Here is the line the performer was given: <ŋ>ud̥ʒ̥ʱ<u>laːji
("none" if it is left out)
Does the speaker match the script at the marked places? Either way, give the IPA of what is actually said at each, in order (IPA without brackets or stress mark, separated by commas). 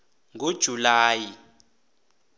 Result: ŋ, u